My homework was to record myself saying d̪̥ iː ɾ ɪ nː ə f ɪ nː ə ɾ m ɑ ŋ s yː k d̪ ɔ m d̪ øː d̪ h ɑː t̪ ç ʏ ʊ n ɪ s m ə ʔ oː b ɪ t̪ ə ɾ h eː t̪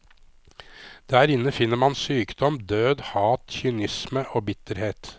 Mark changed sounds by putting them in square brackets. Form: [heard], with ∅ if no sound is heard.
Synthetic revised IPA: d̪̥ [æː] ɾ ɪ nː ə f ɪ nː ə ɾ m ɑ [n] s yː k d̪ ɔ m d̪ øː d̪ h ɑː t̪ ç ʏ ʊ n ɪ s m ə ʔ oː b ɪ t̪ ə ɾ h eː t̪